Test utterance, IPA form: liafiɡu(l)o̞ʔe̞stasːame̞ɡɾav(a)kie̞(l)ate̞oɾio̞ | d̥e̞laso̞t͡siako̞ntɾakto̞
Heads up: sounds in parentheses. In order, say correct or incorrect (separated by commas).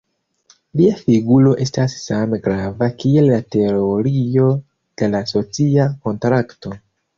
correct, correct, incorrect